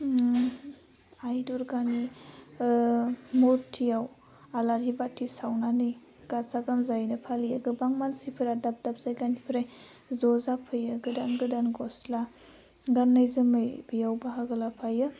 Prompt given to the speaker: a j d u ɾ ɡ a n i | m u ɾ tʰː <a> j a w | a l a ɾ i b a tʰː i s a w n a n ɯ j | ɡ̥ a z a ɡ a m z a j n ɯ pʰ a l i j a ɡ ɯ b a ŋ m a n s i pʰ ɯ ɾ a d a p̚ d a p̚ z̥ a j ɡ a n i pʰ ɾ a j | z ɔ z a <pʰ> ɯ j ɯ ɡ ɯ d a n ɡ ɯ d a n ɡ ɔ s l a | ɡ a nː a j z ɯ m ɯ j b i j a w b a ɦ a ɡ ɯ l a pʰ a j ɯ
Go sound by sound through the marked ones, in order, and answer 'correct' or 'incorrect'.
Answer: incorrect: i, correct

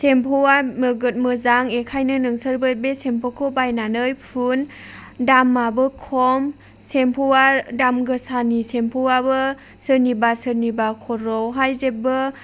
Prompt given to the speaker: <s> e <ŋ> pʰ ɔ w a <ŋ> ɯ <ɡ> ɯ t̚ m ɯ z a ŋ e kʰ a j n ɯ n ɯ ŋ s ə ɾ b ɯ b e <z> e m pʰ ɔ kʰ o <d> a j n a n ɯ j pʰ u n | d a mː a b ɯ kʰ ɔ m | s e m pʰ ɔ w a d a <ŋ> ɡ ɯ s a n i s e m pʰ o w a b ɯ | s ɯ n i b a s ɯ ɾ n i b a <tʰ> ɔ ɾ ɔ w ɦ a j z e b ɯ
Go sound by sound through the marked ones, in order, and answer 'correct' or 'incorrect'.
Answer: correct, incorrect: m, incorrect: m, correct, incorrect: s, incorrect: b, incorrect: m, incorrect: kʰ

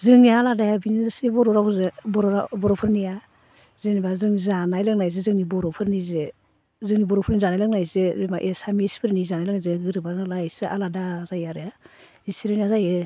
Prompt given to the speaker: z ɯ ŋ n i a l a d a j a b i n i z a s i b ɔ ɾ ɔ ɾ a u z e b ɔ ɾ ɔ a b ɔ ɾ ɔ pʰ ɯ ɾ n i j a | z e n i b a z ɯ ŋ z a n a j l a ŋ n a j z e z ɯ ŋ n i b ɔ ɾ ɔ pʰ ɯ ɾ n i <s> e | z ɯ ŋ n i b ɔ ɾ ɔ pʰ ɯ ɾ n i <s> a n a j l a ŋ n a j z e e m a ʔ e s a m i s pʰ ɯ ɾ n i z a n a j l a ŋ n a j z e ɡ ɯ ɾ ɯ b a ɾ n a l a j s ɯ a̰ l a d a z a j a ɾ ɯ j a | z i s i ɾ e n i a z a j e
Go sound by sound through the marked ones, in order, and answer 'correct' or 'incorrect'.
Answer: incorrect: z, incorrect: z

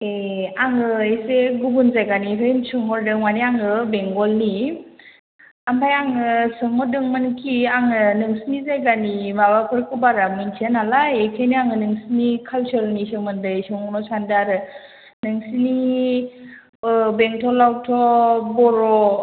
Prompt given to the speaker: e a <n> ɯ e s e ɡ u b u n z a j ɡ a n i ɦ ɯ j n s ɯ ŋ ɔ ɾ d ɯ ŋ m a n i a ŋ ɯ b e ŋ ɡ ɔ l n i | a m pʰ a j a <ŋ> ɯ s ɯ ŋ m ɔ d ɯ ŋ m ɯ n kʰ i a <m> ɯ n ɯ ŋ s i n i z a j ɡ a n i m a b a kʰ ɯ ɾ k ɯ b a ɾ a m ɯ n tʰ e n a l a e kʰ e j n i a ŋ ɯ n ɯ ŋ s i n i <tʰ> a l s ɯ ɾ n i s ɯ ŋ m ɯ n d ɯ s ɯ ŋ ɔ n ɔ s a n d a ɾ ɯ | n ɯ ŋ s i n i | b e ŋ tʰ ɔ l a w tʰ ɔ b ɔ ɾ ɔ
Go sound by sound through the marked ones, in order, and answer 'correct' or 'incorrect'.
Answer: incorrect: ŋ, correct, incorrect: ŋ, incorrect: kʰ

